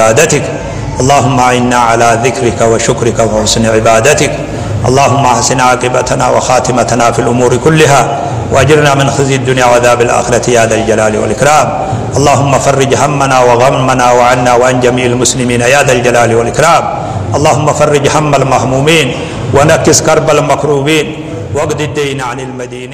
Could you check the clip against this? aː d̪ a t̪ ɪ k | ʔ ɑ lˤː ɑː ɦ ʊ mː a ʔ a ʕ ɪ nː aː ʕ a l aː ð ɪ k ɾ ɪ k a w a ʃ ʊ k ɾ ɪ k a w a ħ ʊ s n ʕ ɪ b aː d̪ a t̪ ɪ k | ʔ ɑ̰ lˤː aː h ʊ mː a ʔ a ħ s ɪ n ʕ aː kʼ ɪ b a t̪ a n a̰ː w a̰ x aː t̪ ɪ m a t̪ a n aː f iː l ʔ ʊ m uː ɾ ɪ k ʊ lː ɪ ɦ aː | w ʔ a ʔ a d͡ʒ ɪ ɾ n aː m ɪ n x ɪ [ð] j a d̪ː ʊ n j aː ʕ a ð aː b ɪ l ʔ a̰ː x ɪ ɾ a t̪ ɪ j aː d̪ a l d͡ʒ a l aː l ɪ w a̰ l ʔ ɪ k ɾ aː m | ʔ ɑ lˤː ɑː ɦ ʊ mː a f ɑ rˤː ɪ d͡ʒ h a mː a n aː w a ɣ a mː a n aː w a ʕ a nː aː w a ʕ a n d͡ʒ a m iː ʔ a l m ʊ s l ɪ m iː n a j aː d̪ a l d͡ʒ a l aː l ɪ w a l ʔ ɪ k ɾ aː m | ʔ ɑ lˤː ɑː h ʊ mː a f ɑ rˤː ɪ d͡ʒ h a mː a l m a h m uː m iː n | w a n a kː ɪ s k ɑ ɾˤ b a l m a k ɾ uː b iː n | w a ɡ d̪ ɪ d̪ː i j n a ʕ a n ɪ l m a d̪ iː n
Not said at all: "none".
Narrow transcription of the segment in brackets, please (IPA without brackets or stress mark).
z